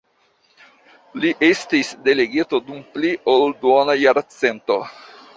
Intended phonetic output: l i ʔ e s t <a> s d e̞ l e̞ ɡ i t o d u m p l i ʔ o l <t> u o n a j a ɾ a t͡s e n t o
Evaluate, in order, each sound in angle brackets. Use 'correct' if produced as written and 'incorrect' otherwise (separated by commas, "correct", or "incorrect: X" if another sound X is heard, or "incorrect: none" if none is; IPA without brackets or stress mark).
incorrect: i, incorrect: d